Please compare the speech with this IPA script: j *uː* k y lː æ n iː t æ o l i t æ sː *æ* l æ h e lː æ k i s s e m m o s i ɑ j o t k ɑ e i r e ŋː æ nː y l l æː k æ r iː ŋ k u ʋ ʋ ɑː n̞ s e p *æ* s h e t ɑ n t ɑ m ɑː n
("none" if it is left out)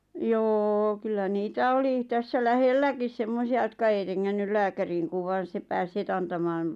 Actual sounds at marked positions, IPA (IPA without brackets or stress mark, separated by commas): oː, æ, æː